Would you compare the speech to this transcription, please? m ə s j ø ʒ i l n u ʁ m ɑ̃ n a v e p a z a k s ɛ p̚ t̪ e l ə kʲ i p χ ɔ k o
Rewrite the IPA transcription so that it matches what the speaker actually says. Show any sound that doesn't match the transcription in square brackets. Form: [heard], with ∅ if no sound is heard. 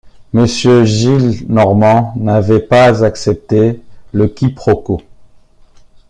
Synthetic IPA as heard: m ə s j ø ʒ i l n [ɔ] ʁ m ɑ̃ n a v [ɛ] p a z a k s ɛ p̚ t̪ e l ə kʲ i p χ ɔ k o